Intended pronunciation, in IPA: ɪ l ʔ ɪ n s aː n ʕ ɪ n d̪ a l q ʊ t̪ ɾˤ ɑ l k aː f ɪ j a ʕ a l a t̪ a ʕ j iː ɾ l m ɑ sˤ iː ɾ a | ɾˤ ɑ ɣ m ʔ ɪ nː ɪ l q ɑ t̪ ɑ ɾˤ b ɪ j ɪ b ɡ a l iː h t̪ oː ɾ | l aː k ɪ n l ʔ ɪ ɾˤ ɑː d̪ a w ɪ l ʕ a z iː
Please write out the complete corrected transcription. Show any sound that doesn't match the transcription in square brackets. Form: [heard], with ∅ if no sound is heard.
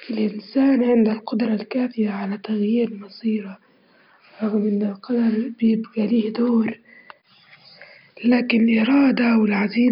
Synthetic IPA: ɪ l ʔ ɪ n s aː n ʕ ɪ n d̪ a l q ʊ [d̪] ɾˤ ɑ l k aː f ɪ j a ʕ a l a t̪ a [ɣ] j iː ɾ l m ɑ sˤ iː ɾ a | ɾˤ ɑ ɣ m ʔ ɪ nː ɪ l q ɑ [d̪] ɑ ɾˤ b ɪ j ɪ b ɡ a l iː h [d̪] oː ɾ | l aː k ɪ n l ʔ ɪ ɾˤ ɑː d̪ a w ɪ l ʕ a z iː